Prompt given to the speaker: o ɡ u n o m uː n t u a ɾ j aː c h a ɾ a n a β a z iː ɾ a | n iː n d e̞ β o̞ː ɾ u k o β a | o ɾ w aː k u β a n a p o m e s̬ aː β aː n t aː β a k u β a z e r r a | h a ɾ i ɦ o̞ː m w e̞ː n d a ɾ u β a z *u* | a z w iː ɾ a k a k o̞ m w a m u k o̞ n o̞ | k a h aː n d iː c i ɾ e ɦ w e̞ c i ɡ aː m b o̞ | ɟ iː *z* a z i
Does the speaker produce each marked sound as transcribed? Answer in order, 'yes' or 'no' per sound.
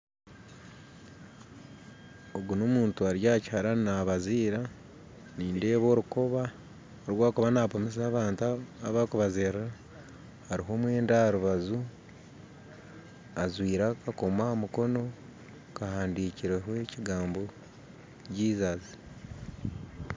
yes, yes

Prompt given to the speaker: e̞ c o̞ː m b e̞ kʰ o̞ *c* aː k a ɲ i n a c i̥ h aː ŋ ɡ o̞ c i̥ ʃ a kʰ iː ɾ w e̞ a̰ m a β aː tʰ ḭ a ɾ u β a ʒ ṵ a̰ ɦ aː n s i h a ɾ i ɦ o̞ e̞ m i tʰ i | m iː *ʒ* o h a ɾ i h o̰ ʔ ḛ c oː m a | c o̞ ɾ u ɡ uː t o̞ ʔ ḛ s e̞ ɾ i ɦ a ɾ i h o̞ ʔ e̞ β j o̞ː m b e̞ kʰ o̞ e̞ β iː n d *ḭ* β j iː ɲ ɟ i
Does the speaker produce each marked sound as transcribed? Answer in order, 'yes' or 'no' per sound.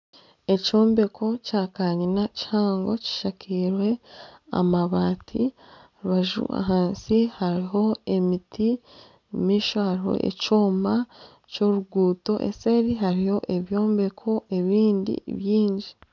yes, no, yes

